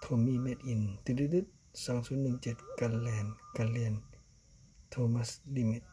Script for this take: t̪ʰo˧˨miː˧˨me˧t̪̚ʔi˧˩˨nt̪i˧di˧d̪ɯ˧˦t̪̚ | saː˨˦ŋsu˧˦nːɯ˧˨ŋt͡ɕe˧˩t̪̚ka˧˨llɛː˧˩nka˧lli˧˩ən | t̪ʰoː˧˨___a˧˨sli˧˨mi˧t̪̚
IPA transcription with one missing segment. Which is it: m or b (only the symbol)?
m